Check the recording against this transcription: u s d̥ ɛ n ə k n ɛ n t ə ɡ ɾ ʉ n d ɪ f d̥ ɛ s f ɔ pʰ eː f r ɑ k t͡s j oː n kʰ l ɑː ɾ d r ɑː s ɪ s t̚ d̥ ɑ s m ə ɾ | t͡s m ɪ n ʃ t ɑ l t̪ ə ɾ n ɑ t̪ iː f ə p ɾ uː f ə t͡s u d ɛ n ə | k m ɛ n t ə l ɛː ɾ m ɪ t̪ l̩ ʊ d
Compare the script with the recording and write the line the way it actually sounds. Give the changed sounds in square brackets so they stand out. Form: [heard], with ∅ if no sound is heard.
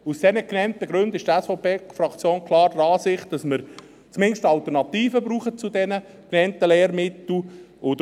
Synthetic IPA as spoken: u s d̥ ɛ n ə k n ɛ n t ə ɡ ɾ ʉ n d ɪ [ʃ] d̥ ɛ s f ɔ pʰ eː f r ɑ k t͡s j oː n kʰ l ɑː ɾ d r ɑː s ɪ [χ] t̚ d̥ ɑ s m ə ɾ | t͡s m ɪ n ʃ t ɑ l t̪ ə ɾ n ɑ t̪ iː f ə [b] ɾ uː [χ] ə t͡s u d ɛ n ə | k [n] ɛ n t ə l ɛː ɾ m ɪ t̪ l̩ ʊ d